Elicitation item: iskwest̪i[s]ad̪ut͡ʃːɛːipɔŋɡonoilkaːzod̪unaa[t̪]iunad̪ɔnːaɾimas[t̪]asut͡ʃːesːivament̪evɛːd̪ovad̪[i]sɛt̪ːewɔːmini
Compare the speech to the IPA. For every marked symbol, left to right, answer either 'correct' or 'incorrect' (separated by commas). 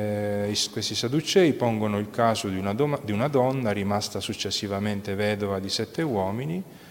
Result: correct, incorrect, correct, correct